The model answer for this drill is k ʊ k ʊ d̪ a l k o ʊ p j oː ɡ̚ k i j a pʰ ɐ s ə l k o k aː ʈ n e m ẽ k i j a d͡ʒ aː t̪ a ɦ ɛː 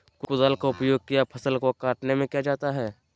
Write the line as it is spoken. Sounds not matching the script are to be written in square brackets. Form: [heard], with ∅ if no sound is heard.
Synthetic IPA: k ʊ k ʊ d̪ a l k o ʊ p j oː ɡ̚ k i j a pʰ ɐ s ə l k o k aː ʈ n e m ẽ k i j a d͡ʒ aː t̪ a ɦ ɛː